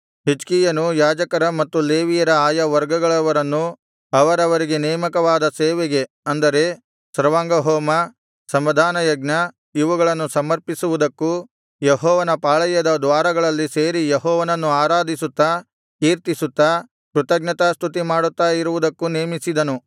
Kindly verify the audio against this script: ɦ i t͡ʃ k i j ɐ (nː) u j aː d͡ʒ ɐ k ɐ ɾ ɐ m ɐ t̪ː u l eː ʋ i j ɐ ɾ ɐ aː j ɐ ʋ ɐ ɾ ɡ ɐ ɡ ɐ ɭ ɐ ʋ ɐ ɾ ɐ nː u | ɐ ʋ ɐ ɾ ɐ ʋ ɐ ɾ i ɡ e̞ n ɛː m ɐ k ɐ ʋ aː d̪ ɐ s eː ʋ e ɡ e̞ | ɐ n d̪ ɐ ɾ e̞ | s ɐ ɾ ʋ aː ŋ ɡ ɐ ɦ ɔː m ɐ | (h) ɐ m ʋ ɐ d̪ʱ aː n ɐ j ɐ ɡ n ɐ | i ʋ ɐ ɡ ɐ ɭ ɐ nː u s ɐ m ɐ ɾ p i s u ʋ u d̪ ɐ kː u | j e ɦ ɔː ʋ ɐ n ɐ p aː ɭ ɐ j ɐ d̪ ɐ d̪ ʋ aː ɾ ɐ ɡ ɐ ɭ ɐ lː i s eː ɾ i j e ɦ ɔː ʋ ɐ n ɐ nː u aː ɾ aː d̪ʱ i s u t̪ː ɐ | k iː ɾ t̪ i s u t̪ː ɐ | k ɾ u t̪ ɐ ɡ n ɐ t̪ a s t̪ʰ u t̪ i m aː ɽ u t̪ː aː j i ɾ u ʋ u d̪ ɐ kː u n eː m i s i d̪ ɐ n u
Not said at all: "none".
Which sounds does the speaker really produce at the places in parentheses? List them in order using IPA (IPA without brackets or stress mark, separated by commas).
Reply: n, s